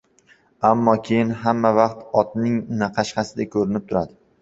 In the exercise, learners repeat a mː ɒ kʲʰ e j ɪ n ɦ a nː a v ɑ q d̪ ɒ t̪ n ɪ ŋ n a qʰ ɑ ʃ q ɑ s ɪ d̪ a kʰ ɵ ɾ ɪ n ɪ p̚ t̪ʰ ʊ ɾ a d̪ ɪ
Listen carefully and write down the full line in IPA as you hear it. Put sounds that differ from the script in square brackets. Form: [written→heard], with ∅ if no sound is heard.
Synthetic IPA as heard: a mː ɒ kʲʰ e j ɪ n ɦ a [nː→mː] a v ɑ q [d̪→t̪] ɒ t̪ n ɪ ŋ n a qʰ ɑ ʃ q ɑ s ɪ d̪ a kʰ ɵ ɾ ɪ n ɪ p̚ t̪ʰ ʊ ɾ a d̪ ɪ